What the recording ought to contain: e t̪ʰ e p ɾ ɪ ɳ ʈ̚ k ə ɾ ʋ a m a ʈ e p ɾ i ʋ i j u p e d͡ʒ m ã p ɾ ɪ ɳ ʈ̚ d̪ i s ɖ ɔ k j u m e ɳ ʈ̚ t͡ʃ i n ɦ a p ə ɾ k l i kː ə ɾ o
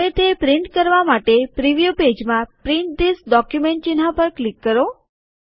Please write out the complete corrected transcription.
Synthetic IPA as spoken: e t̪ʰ e p ɾ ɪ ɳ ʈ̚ k ə ɾ ʋ a m a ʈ e p ɾ i ʋ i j u p e d͡ʒ m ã p ɾ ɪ ɳ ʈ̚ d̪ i s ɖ ɔ k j u m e ɳ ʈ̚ t͡ʃ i n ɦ a p ə ɾ k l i kː ə ɾ o